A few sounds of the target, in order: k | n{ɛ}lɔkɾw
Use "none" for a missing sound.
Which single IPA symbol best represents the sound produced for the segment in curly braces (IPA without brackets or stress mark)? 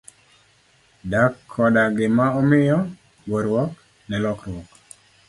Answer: ɛ